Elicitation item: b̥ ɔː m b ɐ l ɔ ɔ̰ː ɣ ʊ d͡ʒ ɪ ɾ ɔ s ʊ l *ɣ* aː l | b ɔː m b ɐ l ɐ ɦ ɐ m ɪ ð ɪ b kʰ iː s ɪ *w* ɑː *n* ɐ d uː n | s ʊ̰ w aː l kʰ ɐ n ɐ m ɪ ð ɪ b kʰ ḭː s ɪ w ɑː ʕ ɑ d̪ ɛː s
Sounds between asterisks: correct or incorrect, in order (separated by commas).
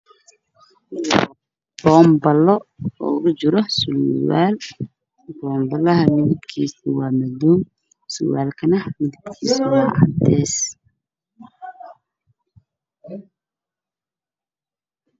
incorrect, correct, incorrect